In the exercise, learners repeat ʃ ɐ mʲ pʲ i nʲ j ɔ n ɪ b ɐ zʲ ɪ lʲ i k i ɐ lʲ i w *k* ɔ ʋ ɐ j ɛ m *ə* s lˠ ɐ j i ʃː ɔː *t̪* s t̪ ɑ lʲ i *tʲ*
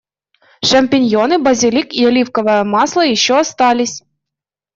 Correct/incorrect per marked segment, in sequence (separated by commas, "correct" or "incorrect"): correct, incorrect, incorrect, incorrect